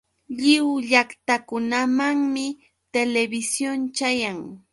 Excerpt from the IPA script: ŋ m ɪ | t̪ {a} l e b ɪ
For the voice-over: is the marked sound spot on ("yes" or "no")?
no